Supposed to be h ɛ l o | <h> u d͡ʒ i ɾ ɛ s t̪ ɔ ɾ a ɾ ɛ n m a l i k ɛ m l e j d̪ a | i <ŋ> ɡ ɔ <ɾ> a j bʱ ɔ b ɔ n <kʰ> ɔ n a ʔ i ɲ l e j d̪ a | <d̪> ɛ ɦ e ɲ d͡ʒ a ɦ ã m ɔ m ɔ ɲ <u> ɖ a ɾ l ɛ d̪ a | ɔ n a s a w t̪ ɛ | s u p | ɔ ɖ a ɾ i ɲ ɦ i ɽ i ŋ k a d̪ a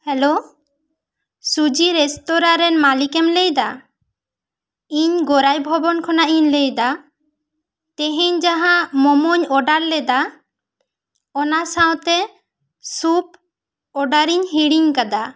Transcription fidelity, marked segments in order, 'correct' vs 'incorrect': incorrect: s, incorrect: ɲ, correct, correct, incorrect: t̪, incorrect: ɔ

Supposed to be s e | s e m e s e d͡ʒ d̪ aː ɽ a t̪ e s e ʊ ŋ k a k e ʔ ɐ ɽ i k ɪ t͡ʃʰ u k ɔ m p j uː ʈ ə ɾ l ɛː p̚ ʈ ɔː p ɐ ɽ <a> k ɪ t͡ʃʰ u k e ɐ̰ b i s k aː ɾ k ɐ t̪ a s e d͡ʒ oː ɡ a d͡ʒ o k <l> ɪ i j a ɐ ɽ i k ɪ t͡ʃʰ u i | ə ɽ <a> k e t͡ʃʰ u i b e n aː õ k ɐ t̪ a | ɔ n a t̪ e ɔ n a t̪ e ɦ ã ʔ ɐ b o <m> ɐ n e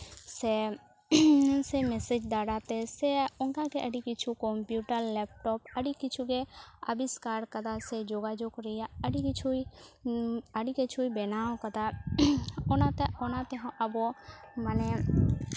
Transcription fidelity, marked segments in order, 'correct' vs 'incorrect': incorrect: i, incorrect: ɾ, incorrect: i, correct

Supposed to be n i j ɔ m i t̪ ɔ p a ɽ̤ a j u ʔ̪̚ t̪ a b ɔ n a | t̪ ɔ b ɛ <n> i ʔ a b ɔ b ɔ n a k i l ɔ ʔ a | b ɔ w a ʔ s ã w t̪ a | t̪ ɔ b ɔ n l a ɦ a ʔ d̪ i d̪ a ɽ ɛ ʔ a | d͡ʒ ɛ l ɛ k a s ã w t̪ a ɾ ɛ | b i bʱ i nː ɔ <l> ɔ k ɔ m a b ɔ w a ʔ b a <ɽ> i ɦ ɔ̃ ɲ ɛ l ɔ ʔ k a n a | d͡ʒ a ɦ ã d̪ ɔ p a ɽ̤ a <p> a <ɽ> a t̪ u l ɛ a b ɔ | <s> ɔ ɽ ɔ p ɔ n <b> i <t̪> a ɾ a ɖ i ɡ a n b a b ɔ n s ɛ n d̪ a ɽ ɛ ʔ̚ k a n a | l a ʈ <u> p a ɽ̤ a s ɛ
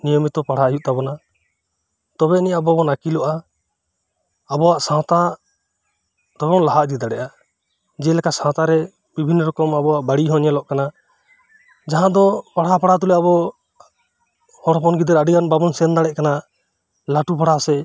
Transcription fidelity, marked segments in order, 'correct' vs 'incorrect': correct, incorrect: ɾ, correct, correct, correct, incorrect: h, incorrect: ɡ, incorrect: d̪, correct

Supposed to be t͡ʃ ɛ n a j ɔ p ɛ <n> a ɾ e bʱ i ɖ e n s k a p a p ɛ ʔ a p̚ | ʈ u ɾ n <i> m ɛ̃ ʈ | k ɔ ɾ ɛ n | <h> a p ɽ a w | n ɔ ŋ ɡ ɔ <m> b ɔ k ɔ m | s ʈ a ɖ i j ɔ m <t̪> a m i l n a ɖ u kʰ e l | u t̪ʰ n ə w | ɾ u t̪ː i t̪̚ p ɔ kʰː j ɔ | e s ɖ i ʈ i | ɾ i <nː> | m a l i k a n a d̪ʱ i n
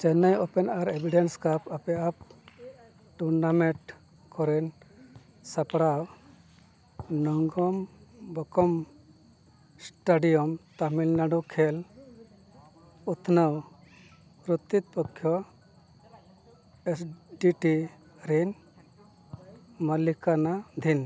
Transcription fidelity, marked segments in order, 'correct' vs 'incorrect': correct, incorrect: a, incorrect: s, correct, correct, incorrect: n

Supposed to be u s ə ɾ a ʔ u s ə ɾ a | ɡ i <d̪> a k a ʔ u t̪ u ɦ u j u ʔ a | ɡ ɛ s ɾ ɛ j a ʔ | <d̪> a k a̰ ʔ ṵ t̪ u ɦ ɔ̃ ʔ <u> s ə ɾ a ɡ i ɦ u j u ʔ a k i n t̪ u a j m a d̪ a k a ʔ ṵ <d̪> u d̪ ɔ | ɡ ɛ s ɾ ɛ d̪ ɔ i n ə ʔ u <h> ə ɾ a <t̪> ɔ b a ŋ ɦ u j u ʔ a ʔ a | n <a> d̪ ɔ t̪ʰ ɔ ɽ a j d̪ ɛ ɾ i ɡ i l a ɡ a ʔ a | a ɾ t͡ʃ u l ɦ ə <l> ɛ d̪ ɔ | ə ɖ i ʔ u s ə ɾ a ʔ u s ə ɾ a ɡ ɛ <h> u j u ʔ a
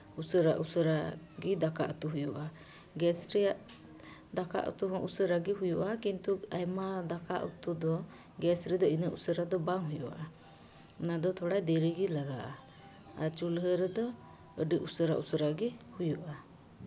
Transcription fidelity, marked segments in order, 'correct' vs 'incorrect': correct, correct, correct, incorrect: t̪, incorrect: s, incorrect: d̪, correct, incorrect: ɾ, correct

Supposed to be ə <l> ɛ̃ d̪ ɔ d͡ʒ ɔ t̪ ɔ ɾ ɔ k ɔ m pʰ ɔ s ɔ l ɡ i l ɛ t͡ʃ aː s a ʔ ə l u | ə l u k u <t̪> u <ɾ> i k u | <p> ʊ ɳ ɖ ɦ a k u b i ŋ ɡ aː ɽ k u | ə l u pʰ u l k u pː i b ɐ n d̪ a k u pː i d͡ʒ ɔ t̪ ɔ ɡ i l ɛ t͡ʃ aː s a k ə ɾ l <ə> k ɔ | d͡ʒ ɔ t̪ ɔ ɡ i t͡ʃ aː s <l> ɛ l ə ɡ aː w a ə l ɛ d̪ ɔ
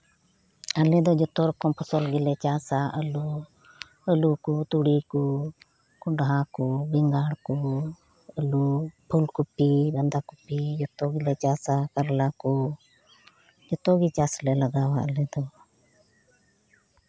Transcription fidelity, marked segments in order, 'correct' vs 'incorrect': correct, correct, incorrect: ɽ, incorrect: k, incorrect: a, correct

